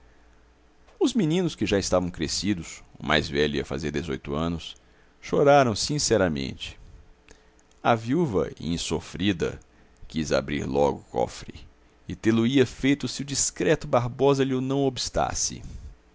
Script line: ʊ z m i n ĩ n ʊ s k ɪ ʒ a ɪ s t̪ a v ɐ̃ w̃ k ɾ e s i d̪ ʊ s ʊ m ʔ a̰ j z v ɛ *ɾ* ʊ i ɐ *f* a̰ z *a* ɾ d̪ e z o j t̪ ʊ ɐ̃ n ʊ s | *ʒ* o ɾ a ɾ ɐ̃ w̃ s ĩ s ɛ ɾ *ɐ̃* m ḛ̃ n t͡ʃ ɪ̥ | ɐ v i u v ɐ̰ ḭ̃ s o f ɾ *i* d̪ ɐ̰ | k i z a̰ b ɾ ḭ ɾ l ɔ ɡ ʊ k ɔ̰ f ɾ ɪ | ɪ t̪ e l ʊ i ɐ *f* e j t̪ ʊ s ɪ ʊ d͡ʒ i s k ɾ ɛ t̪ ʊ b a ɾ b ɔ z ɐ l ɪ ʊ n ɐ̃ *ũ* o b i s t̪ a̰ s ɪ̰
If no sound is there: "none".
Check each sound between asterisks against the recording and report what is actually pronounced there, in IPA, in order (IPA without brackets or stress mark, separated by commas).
ʎ, f, e, ʃ, ɐ, i, f, w̃